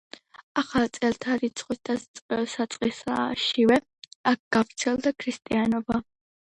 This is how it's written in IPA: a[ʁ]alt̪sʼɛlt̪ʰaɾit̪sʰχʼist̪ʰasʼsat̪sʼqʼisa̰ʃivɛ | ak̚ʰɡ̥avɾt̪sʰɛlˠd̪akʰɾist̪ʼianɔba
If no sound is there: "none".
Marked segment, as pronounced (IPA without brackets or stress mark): χ